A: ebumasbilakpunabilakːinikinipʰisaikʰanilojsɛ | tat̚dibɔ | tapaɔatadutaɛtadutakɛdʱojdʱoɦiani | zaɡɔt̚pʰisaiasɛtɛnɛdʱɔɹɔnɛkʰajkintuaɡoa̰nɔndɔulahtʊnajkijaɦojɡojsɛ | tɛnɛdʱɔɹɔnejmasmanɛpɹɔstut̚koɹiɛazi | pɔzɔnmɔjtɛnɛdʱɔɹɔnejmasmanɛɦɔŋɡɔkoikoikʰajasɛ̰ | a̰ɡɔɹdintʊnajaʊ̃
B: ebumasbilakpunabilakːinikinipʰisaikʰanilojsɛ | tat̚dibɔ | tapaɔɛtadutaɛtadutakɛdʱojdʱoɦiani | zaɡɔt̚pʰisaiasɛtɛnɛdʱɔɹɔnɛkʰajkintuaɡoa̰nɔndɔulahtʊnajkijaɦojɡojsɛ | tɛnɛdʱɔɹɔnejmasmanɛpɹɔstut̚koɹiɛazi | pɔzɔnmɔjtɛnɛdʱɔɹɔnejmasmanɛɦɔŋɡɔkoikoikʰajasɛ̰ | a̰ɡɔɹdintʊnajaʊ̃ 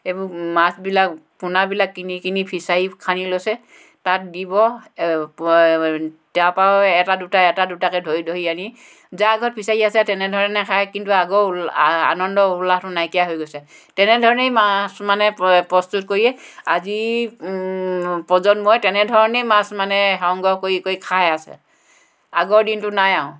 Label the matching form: B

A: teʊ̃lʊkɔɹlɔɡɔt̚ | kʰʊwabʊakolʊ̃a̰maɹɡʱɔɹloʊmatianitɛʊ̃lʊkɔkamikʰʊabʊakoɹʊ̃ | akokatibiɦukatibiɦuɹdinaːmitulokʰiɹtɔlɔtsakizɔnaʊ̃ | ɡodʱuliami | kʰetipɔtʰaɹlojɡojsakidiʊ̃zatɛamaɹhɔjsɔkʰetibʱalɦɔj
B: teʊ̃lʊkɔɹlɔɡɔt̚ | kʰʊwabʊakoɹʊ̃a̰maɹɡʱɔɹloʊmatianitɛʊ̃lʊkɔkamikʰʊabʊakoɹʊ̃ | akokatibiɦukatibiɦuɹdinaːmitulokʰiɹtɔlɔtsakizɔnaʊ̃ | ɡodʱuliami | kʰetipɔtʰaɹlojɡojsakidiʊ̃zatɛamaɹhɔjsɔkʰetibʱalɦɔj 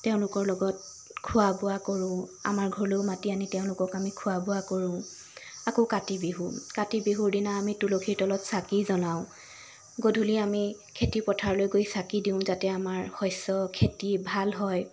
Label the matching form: B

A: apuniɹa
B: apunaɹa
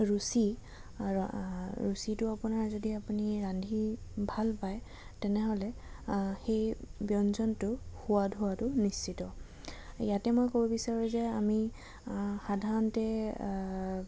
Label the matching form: A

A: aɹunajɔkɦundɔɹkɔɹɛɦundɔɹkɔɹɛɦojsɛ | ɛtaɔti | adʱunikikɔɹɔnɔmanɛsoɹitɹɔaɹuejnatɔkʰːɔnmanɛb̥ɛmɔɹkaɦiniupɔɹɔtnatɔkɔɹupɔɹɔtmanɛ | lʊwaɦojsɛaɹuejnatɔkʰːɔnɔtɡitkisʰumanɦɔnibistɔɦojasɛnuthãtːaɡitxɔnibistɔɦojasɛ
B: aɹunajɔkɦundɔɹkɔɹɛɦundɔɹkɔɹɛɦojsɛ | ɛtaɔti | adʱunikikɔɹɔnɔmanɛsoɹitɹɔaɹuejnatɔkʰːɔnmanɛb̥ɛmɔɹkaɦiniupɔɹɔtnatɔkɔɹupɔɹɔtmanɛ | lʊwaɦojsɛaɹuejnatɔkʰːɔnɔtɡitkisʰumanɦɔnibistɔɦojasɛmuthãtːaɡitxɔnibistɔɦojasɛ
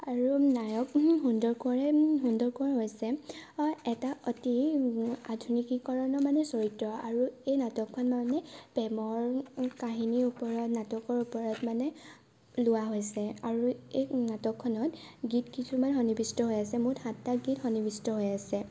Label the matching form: B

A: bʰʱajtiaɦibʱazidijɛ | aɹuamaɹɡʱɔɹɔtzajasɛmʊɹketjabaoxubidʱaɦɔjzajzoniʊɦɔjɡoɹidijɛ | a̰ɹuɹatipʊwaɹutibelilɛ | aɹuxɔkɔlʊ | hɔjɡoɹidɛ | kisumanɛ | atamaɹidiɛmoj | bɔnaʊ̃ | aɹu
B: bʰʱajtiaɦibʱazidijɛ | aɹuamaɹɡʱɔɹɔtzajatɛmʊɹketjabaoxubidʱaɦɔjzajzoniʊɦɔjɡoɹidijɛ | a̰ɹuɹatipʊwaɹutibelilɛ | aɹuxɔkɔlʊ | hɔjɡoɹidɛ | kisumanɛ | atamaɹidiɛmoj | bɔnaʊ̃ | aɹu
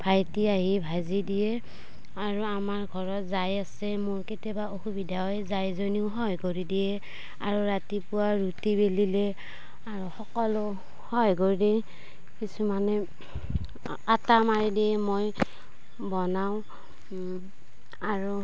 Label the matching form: A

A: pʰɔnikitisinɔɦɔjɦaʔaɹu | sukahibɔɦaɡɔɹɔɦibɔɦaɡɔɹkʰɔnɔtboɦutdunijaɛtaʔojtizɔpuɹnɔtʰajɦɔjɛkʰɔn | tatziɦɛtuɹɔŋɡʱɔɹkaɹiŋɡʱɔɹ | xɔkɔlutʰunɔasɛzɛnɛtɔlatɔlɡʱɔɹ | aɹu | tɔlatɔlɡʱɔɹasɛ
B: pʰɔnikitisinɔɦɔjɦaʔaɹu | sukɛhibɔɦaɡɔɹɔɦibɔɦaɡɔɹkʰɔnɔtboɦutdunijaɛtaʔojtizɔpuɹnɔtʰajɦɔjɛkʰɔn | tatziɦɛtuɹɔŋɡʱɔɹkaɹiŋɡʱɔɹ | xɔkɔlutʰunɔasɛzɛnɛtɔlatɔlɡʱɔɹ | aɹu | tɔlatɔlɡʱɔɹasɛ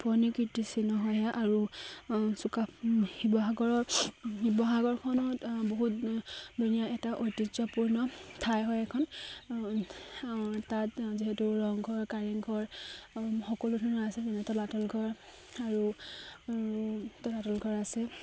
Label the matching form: A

